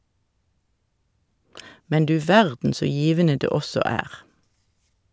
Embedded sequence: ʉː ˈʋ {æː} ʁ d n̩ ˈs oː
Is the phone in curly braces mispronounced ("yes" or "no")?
yes